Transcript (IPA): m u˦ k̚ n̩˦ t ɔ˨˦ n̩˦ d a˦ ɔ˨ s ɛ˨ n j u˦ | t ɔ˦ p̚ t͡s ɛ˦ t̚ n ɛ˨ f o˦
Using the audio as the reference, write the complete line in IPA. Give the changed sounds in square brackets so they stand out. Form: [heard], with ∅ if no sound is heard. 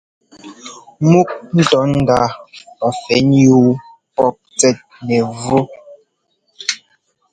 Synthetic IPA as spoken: m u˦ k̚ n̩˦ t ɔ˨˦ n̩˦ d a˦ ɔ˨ [f] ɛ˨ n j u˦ | [p] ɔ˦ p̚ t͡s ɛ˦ t̚ n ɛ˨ [v] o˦